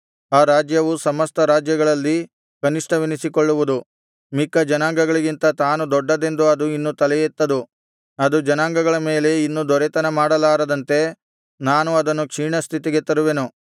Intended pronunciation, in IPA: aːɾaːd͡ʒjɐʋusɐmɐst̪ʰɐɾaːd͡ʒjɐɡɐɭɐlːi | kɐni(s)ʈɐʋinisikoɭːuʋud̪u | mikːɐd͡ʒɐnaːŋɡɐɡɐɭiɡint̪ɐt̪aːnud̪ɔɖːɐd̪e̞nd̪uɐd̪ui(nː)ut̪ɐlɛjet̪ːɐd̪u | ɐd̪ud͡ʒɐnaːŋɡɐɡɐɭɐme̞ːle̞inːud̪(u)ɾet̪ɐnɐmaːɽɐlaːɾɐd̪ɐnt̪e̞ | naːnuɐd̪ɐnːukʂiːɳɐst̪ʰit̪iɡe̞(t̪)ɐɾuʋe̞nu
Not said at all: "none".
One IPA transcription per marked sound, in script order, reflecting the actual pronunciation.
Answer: ʂ, nː, ɔ, t̪

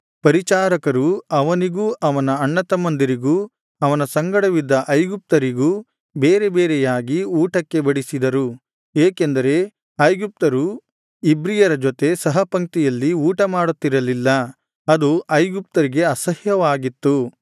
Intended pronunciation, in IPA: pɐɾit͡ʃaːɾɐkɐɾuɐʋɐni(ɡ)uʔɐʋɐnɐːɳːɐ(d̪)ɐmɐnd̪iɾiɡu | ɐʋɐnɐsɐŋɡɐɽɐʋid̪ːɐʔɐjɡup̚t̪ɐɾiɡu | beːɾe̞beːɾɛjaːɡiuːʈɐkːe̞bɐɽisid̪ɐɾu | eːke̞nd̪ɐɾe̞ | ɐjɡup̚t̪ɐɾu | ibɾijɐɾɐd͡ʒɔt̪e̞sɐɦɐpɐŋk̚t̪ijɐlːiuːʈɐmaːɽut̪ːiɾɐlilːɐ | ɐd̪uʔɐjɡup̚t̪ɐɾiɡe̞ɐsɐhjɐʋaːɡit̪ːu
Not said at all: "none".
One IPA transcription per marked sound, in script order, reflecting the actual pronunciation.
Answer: ɡ, t̪

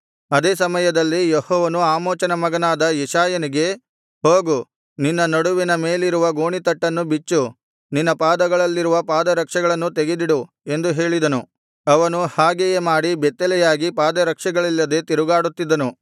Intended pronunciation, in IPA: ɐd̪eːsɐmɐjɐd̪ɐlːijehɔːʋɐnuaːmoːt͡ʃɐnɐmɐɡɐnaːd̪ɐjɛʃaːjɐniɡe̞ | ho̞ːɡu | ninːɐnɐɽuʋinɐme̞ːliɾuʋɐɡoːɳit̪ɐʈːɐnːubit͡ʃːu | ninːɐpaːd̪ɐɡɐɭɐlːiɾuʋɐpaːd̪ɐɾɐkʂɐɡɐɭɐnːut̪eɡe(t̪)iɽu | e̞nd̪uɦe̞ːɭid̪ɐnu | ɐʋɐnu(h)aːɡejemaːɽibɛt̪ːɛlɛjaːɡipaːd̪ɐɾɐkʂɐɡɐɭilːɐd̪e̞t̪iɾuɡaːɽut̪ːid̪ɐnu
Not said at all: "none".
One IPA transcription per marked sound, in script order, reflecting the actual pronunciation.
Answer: d̪, h

